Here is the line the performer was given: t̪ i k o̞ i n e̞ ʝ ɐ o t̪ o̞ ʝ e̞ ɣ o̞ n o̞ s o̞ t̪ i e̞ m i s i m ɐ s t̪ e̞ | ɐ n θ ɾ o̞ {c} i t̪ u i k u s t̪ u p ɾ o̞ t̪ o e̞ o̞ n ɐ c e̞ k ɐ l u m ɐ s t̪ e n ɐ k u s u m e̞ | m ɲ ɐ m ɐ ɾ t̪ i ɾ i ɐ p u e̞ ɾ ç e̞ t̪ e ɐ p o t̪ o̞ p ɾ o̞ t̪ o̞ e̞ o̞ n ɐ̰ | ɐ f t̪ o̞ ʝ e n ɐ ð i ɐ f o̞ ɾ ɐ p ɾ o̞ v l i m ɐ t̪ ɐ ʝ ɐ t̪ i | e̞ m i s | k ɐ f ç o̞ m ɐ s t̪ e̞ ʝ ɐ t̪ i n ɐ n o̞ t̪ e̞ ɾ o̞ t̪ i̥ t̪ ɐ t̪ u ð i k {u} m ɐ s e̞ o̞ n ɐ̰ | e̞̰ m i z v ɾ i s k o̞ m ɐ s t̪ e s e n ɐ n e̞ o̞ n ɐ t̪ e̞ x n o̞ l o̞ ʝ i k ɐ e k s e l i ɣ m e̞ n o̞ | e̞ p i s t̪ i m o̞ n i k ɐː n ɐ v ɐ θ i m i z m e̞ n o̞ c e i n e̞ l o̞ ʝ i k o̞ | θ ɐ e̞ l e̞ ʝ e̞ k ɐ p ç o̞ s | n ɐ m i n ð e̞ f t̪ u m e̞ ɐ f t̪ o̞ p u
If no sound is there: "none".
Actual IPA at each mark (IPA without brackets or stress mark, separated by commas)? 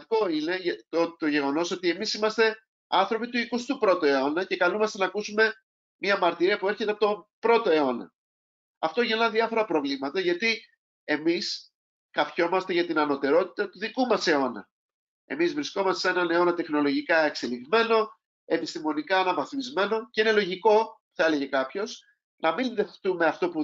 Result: p, u